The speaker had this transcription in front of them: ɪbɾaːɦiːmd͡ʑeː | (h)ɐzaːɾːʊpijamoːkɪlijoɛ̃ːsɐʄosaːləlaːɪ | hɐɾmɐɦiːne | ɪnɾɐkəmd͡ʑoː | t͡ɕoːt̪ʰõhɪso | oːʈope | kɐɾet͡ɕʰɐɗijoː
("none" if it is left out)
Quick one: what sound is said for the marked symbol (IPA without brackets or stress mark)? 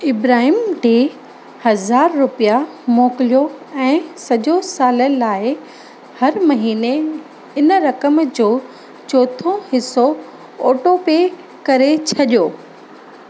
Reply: h